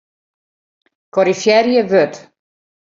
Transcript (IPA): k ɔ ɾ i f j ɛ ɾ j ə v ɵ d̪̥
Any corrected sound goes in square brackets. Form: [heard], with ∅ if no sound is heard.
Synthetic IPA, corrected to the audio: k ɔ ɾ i f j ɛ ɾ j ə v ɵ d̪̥